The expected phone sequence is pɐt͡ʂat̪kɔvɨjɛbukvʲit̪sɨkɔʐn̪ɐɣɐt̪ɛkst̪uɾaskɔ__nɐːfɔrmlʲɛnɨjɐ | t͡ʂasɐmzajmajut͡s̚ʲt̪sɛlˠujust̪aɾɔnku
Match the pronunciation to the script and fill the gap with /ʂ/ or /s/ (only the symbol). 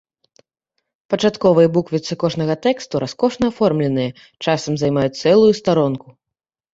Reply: ʂ